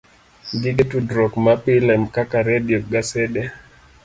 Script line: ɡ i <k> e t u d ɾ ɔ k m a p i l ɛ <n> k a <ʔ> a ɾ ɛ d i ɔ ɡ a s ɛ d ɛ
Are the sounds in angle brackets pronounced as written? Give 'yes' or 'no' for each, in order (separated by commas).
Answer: no, no, no